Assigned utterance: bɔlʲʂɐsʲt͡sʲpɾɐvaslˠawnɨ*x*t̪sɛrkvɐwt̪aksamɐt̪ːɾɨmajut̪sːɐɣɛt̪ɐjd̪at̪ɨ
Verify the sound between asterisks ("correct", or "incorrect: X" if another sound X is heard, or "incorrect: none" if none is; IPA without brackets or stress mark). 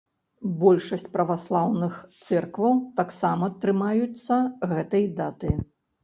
correct